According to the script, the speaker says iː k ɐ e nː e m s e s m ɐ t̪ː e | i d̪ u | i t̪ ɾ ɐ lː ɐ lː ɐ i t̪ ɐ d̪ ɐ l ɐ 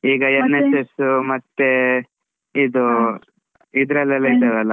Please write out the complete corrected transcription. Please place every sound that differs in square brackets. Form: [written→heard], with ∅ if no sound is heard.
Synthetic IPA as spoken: iː [k→ɡ] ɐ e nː e [m→∅] s e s m ɐ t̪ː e | i d̪ u | i [t̪→d̪] ɾ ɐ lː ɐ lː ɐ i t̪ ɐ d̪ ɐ l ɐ

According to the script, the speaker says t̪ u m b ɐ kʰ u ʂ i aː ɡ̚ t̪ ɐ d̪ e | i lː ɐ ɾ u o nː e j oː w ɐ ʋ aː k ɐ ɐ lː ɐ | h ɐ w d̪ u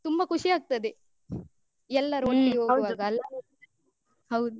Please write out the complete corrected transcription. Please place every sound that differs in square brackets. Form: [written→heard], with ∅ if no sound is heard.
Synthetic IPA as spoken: t̪ u m b ɐ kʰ u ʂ i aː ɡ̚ t̪ ɐ d̪ e | [i→ɛ] lː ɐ ɾ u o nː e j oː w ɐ ʋ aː [k→ɡ] ɐ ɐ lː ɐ | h ɐ w d̪ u

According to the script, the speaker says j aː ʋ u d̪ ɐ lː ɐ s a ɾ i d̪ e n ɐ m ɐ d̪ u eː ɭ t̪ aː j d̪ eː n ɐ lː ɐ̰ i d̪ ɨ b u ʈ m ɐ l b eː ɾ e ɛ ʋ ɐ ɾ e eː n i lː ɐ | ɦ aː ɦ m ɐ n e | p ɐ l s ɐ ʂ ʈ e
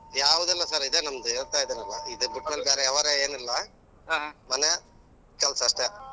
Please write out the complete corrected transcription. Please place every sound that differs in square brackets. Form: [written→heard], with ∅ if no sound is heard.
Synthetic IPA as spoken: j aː ʋ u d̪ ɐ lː ɐ s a ɾ i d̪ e n ɐ m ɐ d̪ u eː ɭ t̪ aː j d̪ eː n ɐ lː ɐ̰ i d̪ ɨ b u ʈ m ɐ l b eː ɾ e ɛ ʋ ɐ ɾ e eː n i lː ɐ | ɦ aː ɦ m ɐ n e | [p→k] ɐ l s ɐ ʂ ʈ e

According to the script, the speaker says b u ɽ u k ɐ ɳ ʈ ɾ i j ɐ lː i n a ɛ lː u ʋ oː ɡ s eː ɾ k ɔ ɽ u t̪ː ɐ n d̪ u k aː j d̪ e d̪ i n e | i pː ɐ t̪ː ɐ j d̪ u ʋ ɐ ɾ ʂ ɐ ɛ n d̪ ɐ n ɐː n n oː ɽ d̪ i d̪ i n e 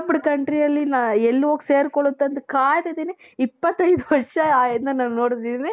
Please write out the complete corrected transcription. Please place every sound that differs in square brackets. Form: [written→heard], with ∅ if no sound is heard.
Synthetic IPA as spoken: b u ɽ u k ɐ ɳ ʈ ɾ i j ɐ lː i n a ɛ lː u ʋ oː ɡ s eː ɾ k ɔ [ɽ→ɭ] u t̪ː ɐ n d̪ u k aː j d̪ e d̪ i n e | i pː ɐ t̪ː ɐ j d̪ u ʋ ɐ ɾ ʂ ɐ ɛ n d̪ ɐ n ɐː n n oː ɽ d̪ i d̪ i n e

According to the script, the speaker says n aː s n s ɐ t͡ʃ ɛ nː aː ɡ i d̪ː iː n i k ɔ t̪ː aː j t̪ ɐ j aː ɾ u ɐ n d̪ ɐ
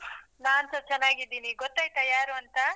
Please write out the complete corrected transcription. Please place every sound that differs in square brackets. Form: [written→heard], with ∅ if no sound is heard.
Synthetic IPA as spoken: n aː [s→∅] n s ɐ t͡ʃ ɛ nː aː ɡ i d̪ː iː n i [k→ɡ] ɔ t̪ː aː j t̪ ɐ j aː ɾ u ɐ n [d̪→t̪] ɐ

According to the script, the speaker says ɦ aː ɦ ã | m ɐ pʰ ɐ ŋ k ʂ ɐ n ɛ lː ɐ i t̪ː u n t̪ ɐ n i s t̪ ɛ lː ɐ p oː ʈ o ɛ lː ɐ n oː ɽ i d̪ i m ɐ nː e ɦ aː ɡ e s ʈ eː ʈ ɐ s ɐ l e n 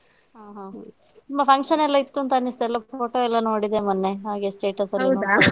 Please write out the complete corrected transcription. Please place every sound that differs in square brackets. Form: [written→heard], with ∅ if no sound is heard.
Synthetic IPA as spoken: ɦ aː ɦ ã | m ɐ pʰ ɐ ŋ k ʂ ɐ n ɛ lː ɐ i t̪ː u n t̪ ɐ n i s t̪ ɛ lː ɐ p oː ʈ o ɛ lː ɐ n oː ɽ i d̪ [i→e] m ɐ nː e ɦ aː ɡ e s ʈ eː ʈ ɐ s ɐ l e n

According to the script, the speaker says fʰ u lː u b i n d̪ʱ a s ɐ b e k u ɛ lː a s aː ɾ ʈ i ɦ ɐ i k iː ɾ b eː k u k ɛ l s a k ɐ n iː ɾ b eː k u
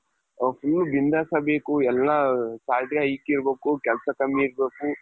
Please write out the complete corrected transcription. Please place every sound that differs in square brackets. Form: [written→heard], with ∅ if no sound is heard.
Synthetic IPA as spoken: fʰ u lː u b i n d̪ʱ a s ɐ b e k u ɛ lː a s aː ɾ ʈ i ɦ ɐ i k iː ɾ b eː k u k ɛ l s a k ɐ [n→m] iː ɾ b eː k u

